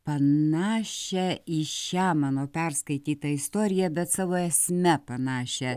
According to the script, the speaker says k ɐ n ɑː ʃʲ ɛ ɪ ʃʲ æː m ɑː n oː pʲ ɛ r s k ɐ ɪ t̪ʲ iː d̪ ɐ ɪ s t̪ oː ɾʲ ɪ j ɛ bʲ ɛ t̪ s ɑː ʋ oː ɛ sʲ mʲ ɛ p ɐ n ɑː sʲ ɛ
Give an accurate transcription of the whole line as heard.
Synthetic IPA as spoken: p ɐ n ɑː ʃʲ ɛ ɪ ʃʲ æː m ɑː n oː pʲ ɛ r s k ɐ ɪ t̪ʲ iː t̪ ɐ ɪ s t̪ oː ɾʲ ɪ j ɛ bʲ ɛ t̪ s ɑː ʋ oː ɛ sʲ mʲ ɛ p ɐ n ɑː ʃʲ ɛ